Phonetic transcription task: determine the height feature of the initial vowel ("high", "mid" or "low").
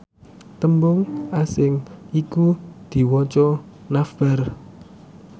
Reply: mid